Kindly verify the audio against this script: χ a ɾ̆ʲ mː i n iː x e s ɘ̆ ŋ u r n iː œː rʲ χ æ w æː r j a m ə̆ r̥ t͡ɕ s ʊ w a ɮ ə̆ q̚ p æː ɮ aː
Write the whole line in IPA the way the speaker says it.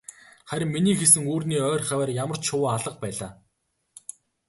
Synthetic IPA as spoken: χ æ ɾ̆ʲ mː i n iː x e s ɘ̆ ŋ uː r n iː œː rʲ χ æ w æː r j a m ə̆ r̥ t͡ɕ ʃ ʊ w a ɮ ə̆ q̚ p æː ɮ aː